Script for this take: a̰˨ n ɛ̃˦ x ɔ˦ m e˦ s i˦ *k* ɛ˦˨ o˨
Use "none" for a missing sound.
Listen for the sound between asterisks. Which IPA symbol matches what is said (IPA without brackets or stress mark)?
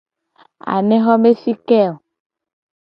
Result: k